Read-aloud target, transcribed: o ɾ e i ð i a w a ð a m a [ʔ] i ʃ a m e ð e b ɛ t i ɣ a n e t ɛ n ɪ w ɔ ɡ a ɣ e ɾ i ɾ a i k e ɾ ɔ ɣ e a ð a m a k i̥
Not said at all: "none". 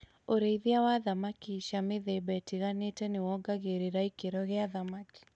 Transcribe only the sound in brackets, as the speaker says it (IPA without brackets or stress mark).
k